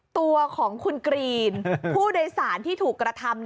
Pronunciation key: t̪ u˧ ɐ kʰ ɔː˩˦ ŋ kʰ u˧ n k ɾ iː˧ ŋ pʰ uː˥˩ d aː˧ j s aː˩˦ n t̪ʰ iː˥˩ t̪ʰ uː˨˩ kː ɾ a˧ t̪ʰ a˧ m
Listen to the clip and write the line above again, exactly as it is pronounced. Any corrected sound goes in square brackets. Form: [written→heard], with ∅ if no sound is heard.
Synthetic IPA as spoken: t̪ u˧ ɐ kʰ ɔː˩˦ ŋ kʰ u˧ n k ɾ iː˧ [ŋ→n] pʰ uː˥˩ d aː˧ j s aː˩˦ n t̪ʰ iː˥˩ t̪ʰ uː˨˩ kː ɾ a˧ t̪ʰ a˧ m